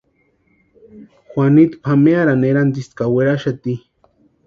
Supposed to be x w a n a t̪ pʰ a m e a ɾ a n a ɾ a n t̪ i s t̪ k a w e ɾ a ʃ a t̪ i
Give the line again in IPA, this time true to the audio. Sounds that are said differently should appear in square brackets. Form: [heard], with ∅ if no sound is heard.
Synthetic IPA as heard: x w a n [i] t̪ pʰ a m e a ɾ a n [e] ɾ a n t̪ i s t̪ k a w e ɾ a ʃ a t̪ i